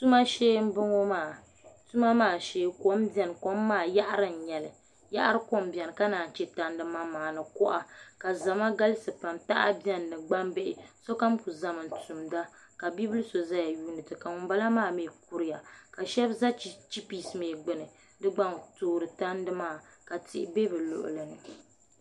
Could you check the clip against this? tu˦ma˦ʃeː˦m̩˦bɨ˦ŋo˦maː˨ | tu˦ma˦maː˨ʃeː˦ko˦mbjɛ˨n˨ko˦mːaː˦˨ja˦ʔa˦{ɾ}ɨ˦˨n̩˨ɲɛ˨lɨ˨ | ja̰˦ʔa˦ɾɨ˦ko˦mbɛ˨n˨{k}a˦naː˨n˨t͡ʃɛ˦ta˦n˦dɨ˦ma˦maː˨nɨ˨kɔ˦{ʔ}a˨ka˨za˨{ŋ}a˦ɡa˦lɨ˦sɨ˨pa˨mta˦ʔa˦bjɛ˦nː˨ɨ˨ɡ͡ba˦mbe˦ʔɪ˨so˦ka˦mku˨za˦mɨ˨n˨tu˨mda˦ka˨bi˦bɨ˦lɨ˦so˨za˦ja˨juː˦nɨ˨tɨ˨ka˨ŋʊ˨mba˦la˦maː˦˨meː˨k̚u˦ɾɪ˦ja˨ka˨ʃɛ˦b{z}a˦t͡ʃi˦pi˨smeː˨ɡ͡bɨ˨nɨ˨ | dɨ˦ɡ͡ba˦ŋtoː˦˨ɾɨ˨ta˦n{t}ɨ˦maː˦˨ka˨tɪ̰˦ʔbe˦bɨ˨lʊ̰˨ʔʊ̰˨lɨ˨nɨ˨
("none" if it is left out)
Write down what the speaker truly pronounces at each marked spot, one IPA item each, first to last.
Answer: ɾ, k, ʔ, m, z, d

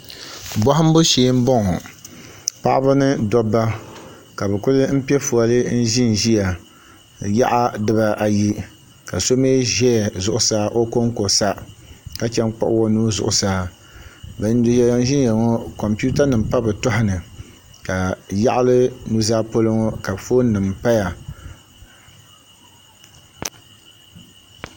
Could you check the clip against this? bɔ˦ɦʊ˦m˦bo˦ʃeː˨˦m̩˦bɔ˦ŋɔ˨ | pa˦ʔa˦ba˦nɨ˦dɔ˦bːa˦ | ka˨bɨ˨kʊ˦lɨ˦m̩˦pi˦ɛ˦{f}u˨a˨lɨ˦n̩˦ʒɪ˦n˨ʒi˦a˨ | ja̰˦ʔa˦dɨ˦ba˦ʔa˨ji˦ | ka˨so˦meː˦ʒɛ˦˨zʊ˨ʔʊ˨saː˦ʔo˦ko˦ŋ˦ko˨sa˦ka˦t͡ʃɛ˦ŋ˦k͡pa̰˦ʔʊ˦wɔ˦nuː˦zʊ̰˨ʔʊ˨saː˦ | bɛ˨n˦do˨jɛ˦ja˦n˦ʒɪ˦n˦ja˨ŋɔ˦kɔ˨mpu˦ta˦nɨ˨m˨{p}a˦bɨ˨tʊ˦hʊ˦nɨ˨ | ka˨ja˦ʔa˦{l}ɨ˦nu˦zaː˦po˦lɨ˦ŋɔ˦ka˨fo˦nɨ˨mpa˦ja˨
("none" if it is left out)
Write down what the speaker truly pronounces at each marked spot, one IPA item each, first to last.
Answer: f, p, l

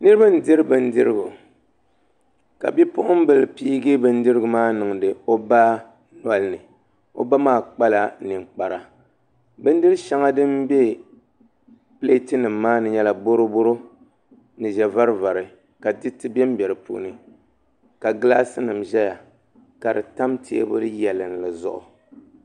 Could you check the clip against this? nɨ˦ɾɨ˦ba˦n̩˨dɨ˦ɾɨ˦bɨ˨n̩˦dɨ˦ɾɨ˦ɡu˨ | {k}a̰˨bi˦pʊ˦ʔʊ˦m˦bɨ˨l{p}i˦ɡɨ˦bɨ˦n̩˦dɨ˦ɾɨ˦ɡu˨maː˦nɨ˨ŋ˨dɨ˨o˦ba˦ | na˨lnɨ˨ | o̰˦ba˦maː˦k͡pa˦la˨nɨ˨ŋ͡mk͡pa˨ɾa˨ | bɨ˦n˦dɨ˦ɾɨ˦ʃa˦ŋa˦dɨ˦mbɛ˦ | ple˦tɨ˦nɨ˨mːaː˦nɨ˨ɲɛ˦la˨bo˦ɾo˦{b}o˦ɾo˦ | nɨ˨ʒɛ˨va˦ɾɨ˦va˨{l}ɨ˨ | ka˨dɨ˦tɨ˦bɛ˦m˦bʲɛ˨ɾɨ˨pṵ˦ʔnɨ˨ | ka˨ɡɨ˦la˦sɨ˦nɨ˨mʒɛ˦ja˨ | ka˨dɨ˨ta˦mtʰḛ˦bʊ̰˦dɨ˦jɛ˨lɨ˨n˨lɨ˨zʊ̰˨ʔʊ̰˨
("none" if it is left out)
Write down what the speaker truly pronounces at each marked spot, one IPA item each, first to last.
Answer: k, p, b, ɾ

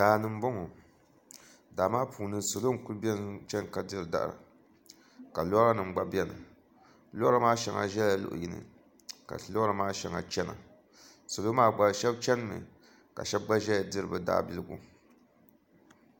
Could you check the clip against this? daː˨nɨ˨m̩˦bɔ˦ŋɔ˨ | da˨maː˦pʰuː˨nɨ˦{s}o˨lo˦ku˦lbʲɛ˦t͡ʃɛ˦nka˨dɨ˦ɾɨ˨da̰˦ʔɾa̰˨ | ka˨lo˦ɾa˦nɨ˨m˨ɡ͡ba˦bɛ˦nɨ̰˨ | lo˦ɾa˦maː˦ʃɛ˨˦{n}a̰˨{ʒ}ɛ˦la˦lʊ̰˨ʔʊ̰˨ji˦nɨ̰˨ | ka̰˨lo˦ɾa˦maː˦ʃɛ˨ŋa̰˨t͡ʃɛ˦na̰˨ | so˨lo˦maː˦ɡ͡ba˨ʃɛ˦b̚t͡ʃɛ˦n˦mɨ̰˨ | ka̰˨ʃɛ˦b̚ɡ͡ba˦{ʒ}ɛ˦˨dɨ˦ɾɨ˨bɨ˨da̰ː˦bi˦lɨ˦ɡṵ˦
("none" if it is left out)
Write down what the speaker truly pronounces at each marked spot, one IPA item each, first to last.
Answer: s, ŋ, ʒ, ʒ

